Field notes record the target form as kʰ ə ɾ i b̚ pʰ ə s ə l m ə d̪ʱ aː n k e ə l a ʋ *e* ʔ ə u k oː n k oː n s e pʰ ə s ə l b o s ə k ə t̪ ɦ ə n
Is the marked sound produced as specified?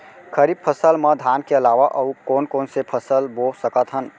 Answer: no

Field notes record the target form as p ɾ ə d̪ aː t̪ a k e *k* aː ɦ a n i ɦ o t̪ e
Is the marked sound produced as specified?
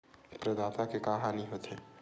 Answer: yes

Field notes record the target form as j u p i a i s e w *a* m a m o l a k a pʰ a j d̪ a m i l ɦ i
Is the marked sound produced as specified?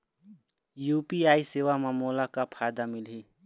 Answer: yes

